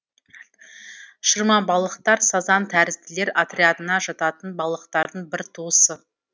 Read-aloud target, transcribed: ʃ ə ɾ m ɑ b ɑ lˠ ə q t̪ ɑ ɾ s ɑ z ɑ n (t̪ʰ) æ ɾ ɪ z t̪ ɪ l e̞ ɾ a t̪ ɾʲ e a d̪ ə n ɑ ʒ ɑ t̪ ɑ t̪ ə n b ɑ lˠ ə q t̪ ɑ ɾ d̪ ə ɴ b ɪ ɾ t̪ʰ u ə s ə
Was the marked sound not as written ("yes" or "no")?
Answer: no